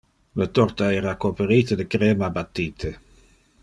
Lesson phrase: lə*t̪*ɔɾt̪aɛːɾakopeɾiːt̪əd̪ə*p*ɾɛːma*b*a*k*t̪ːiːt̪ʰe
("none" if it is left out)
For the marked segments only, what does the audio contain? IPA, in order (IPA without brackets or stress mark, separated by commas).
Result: t̪, k, b, none